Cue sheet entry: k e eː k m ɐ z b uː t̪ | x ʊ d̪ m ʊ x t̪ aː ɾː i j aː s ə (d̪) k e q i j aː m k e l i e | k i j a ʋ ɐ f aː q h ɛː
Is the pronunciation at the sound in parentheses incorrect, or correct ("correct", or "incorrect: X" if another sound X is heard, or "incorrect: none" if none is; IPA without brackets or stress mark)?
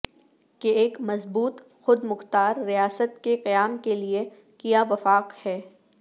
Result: incorrect: t̪